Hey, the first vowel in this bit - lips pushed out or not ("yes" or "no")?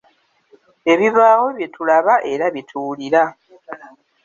no